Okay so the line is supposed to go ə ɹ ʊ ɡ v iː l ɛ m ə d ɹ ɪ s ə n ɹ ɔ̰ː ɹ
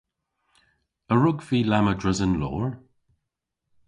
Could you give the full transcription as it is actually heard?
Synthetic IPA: ə ɹ ʊ ɡ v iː l a m ə d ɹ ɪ z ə n l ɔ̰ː ɹ